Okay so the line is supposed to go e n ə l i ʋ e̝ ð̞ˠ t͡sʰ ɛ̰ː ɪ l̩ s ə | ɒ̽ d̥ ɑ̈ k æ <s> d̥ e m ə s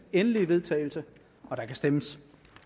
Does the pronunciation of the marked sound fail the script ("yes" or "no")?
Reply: no